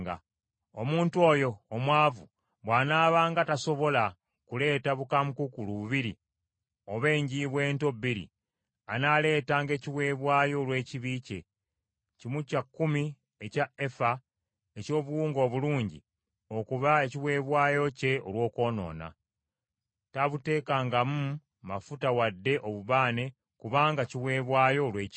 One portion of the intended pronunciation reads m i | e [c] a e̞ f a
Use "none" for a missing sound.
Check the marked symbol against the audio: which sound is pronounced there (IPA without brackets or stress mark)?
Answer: c